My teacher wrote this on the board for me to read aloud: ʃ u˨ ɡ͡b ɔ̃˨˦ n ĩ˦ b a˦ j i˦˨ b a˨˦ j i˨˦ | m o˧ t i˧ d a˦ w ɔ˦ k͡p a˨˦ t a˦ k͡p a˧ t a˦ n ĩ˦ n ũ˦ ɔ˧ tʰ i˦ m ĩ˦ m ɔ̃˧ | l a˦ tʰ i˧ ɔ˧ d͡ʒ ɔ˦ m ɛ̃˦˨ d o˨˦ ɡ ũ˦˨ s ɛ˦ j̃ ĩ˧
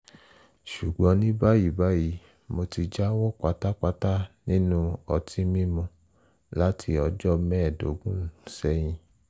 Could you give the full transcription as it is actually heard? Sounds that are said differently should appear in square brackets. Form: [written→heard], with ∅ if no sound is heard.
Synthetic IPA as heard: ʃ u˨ ɡ͡b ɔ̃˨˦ n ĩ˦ b a˦ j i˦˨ b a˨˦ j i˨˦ | m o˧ t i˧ [d→d͡ʒ] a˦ w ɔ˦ k͡p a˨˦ t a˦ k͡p a˧ t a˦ n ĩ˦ n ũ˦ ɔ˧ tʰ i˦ m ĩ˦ m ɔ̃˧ | l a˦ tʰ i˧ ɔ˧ d͡ʒ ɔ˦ m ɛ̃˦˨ d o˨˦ ɡ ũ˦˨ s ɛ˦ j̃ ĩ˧